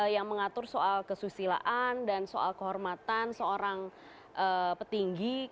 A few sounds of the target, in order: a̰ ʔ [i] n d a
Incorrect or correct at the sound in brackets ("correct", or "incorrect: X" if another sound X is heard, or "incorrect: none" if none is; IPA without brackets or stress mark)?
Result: incorrect: a